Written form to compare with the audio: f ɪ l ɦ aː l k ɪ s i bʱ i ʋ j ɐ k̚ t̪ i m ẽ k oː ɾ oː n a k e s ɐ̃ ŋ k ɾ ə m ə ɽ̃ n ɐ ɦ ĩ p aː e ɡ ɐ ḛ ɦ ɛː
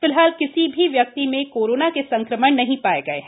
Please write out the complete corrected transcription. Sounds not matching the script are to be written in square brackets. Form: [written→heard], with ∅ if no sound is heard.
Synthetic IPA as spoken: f ɪ l ɦ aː l k ɪ s i bʱ i ʋ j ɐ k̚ t̪ i m ẽ k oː ɾ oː n a k e s ɐ̃ ŋ k ɾ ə m ə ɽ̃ n ɐ ɦ ĩ p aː e ɡ ɐ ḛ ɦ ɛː